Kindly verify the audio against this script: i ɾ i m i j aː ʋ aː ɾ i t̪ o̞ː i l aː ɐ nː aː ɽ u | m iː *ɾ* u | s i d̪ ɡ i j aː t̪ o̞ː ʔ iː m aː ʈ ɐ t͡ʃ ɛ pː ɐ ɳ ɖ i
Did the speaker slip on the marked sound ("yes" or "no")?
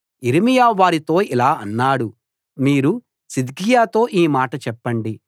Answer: no